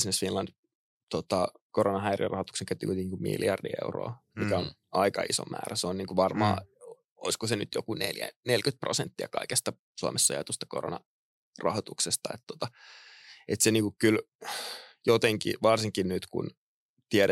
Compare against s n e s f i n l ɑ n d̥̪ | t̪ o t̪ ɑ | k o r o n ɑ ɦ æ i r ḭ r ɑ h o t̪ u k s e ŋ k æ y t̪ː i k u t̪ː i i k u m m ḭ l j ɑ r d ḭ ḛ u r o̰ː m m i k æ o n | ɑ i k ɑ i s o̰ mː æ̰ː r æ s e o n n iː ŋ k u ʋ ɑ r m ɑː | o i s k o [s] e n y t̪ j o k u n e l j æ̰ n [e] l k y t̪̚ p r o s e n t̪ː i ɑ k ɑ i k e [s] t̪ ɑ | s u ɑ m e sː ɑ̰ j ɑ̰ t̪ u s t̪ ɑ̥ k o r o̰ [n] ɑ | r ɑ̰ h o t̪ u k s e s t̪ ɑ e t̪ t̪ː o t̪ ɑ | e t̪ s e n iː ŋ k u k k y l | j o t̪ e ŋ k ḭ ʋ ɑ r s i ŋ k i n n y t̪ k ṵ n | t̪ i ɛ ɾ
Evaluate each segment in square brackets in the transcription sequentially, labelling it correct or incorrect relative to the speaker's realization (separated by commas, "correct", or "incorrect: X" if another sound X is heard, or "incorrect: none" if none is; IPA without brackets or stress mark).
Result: correct, correct, correct, correct